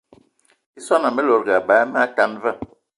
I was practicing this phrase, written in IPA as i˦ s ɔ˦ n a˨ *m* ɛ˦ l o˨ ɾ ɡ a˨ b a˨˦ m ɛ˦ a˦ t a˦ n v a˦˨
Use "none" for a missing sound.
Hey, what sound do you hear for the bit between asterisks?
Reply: m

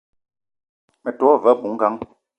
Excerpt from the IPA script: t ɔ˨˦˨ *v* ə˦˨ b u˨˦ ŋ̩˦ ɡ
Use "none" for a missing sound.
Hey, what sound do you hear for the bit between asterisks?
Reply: v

